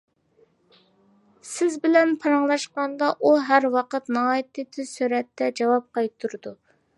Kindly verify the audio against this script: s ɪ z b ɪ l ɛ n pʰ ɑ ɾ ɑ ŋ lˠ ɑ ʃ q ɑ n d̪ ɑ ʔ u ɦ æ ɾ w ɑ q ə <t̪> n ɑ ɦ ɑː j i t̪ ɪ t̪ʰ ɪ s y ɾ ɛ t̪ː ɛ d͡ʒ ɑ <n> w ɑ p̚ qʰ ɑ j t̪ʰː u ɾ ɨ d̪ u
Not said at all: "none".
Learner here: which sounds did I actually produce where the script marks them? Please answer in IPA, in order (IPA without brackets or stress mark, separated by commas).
t̪, none